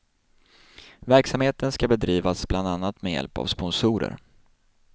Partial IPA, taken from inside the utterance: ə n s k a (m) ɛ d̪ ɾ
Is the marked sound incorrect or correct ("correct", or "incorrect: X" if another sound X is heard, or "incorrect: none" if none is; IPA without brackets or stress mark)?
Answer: incorrect: b